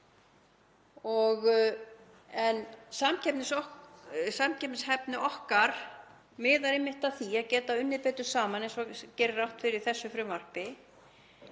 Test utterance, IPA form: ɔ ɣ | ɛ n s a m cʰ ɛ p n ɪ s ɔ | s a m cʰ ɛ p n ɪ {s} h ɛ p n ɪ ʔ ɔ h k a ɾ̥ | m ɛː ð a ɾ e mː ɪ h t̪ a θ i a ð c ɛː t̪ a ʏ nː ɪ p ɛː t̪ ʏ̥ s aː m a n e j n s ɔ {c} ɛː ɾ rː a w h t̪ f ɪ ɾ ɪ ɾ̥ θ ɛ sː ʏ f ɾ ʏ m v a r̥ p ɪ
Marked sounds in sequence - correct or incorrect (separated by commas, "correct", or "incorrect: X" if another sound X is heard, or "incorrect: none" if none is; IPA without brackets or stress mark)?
correct, correct